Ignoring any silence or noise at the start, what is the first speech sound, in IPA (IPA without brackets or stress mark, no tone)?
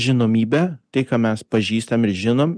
ʒʲ